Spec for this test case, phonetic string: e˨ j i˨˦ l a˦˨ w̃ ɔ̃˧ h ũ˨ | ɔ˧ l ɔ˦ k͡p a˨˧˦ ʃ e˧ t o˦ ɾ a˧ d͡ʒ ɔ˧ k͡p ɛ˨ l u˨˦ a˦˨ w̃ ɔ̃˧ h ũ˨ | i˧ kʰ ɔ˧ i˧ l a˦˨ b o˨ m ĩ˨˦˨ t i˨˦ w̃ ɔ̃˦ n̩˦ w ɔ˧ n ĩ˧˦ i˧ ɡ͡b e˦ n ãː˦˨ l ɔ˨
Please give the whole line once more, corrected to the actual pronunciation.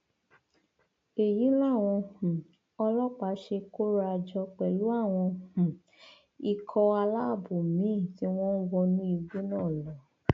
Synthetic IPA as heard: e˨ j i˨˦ l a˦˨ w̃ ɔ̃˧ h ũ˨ | ɔ˧ l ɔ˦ k͡p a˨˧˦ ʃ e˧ k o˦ ɾ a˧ d͡ʒ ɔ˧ k͡p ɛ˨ l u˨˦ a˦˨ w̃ ɔ̃˧ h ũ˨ | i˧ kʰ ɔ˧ a˧ l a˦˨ b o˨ m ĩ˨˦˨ t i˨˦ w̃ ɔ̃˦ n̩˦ w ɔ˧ n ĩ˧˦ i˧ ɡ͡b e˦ n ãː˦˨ l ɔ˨